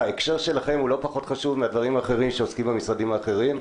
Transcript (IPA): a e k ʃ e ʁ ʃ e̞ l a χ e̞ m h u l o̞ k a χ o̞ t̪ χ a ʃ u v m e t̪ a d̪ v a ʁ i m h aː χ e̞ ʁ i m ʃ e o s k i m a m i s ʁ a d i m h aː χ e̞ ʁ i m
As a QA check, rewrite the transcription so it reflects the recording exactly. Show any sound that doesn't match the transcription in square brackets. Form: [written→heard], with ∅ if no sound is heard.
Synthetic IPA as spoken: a e k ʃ e ʁ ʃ e̞ l a χ e̞ m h u l o̞ [k→p] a χ o̞ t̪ χ a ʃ u v m e [t̪→∅] a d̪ v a ʁ i m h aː χ e̞ ʁ i m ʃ e o s k i m a m i s ʁ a d i m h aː χ e̞ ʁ i m